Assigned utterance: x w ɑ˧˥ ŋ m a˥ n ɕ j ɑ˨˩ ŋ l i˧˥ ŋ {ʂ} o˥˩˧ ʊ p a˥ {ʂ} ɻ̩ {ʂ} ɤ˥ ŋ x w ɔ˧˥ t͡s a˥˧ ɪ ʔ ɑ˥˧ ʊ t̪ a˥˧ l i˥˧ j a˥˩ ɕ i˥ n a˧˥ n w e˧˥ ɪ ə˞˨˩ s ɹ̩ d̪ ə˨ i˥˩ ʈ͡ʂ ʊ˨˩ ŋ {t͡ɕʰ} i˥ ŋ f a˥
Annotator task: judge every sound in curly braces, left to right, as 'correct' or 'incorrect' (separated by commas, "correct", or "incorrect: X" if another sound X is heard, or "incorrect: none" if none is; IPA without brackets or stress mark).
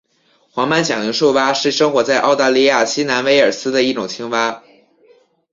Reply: correct, correct, correct, correct